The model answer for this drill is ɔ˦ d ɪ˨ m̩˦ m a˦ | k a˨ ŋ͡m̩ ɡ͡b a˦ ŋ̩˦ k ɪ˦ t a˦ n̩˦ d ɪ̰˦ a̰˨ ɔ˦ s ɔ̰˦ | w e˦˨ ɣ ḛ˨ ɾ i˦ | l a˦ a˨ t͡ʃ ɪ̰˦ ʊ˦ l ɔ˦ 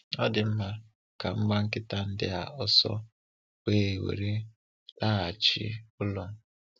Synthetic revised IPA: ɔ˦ d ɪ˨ m̩˦ m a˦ | k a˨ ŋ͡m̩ ɡ͡b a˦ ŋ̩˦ k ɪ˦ t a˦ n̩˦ d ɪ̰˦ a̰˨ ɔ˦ s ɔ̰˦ | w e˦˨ w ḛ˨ ɾ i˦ | l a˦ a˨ t͡ʃ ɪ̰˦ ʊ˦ l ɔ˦

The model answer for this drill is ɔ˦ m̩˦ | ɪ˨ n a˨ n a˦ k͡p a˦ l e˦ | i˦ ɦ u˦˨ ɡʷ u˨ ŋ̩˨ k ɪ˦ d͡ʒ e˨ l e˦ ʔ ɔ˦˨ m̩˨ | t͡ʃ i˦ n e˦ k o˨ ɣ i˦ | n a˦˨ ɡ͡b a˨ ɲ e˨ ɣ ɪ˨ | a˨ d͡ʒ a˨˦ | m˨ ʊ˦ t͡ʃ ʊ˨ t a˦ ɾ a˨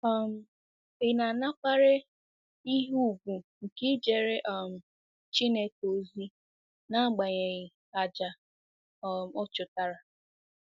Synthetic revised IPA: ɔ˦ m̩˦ | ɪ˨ n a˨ n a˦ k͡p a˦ ɾ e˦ | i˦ ɦ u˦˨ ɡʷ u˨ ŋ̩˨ k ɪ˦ d͡ʒ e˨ ɾ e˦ ʔ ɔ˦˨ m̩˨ | t͡ʃ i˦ n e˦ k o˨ z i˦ | n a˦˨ ɡ͡b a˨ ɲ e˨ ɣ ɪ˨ | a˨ d͡ʒ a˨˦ | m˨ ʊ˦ t͡ʃ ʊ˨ t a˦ ɾ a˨

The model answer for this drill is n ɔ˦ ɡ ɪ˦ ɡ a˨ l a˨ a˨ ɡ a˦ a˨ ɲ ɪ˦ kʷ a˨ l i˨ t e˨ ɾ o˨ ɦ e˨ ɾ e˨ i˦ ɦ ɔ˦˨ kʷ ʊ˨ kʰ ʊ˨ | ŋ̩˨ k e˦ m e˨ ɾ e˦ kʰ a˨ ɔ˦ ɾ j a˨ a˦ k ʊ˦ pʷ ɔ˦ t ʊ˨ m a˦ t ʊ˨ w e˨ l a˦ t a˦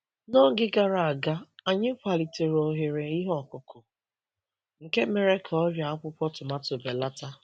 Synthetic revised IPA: n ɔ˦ ɡ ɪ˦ ɡ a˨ ɾ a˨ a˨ ɡ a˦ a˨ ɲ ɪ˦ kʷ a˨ l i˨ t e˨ ɾ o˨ ɦ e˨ ɾ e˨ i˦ ɦ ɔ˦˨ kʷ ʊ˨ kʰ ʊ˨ | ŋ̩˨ k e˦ m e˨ ɾ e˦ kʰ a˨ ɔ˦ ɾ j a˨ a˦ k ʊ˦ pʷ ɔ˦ t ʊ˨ m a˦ t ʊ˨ b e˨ l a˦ t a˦

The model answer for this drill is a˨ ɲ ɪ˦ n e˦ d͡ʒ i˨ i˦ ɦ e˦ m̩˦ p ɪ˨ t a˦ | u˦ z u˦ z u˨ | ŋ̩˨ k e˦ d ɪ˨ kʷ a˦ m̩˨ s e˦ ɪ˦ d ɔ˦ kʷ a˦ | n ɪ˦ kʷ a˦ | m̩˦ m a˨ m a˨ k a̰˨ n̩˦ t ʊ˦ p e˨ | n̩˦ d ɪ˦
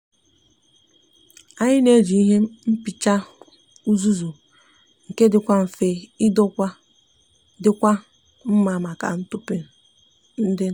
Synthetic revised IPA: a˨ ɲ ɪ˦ n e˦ d͡ʒ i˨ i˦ ɦ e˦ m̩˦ p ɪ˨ t͡ʃ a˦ | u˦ z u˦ z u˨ | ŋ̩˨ k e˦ d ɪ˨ kʷ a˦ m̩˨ f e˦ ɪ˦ d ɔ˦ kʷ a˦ | d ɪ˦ kʷ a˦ | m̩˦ m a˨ m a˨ k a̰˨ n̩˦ t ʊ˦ p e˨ | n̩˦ d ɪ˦

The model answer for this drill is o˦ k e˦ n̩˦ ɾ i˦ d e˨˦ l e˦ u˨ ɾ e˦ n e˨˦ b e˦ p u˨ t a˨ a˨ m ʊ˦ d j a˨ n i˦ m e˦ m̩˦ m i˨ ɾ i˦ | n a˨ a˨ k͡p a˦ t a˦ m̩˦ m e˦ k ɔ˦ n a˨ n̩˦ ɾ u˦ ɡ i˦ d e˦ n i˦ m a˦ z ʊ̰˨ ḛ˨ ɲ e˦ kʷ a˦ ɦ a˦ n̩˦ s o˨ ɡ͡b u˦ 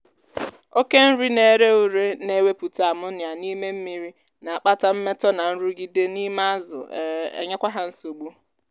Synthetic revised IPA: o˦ k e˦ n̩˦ ɾ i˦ n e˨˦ ɾ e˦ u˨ ɾ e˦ n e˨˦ w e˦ p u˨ t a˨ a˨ m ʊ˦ n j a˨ n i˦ m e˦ m̩˦ m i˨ ɾ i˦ | n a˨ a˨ k͡p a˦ t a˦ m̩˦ m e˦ t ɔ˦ n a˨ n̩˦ ɾ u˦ ɡ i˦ d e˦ n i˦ m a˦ z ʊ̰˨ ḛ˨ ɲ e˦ kʷ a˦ ɦ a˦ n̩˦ s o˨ ɡ͡b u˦

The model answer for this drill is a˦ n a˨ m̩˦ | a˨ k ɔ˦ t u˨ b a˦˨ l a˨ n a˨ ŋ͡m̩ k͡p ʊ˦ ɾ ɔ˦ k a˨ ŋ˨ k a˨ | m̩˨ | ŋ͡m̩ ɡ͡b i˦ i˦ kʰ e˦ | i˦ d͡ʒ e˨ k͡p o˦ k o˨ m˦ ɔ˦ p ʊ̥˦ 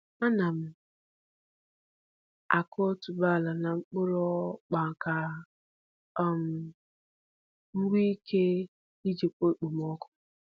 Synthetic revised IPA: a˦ n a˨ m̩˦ | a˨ k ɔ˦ t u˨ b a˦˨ l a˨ n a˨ ŋ͡m̩ k͡p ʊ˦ ɾ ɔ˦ k͡p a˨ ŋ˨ k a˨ | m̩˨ | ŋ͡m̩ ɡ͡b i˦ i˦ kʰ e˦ | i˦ d͡ʒ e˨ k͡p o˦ k͡p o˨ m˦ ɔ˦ k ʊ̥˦

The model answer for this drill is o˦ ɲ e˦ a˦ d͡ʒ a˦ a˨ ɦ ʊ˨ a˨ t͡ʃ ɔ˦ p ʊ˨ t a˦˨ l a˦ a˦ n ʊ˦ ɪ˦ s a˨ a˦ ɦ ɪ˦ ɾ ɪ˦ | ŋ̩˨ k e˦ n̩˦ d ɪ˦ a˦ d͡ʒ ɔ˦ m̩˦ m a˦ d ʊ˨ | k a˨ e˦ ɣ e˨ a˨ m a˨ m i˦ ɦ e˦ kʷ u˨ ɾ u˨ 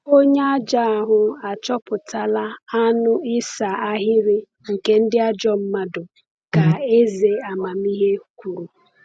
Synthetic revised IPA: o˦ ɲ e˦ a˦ d͡ʒ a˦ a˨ ɦ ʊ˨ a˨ t͡ʃ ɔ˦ p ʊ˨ t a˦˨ l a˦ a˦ n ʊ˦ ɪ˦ s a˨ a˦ ɦ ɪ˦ ɾ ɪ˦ | ŋ̩˨ k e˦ n̩˦ d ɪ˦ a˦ d͡ʒ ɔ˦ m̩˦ m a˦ d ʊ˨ | k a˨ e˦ z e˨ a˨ m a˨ m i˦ ɦ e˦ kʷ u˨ ɾ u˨

